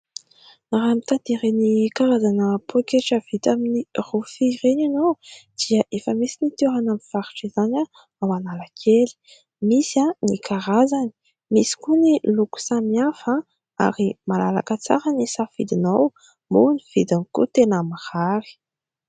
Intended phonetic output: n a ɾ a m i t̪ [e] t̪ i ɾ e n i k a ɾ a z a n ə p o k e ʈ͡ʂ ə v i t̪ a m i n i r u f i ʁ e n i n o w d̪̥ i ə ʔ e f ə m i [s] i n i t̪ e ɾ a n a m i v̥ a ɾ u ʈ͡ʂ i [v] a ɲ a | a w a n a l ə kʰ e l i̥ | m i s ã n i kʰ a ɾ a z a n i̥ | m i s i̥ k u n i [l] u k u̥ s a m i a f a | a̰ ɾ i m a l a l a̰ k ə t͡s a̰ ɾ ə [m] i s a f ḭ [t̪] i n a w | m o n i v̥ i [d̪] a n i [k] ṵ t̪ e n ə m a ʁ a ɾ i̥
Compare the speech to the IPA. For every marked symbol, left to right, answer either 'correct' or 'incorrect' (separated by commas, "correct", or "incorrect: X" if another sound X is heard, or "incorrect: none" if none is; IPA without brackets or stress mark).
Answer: incorrect: a, correct, incorrect: z, correct, incorrect: n, incorrect: d̪, correct, correct